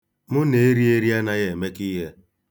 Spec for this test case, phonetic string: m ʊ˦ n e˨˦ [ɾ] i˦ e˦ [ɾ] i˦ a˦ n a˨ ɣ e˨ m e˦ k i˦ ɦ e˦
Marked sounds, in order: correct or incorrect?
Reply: correct, correct

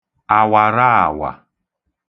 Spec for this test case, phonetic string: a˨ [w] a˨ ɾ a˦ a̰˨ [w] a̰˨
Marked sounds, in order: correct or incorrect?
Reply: correct, correct

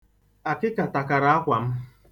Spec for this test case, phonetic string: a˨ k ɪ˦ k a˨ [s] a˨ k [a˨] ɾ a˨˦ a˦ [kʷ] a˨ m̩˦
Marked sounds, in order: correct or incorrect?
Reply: incorrect: t, correct, correct

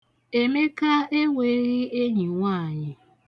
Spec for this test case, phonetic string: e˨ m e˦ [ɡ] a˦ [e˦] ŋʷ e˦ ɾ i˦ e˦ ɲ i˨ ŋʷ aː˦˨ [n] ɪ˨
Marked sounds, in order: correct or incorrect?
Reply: incorrect: k, correct, incorrect: ɲ

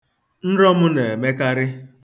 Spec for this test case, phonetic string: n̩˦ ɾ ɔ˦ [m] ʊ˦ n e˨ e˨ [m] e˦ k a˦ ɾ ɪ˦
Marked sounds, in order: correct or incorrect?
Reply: correct, correct

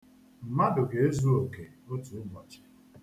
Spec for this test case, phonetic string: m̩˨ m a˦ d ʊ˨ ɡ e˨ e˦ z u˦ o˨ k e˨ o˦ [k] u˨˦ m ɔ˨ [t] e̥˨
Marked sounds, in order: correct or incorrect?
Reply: incorrect: t, incorrect: t͡ʃ

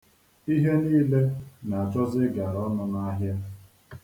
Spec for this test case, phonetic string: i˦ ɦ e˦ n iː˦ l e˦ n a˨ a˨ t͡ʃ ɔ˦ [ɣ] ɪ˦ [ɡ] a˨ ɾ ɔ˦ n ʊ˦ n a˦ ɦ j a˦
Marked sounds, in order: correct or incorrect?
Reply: incorrect: z, correct

